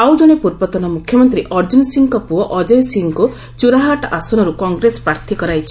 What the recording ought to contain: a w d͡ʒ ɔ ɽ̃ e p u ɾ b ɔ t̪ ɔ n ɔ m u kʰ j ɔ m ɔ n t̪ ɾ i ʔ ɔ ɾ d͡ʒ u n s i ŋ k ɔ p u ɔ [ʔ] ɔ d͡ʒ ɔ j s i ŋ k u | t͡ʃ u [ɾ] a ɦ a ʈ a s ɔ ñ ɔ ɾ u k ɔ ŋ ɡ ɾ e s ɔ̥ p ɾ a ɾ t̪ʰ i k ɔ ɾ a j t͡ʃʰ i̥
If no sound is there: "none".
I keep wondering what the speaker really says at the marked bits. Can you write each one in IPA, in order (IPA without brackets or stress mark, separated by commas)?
ʔ, ɾ